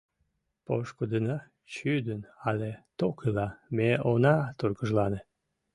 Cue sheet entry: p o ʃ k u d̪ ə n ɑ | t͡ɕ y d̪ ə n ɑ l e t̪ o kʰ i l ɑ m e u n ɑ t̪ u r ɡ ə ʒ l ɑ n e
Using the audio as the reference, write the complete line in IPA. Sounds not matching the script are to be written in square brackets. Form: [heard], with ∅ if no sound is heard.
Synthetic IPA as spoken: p o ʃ k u d̪ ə n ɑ | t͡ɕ y d̪ ə n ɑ l e t̪ o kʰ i l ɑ m e [o] n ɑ t̪ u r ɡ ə ʒ l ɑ n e